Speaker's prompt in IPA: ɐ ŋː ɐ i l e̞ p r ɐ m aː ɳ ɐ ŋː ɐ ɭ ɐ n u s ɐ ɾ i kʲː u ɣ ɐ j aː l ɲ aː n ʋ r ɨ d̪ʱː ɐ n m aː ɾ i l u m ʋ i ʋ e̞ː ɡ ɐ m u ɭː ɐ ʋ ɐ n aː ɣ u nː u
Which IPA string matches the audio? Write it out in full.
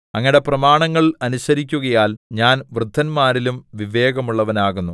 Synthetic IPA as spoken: ɐ ŋː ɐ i ɽ e̞ p r ɐ m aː ɳ ɐ ŋː ɐ ɭ ɐ n u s ɐ ɾ i kʲː u ɣ ɐ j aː l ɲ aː n ʋ r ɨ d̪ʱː ɐ n m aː ɾ i l u m ʋ i ʋ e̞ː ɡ ɐ m u ɭː ɐ ʋ ɐ n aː ɣ u nː u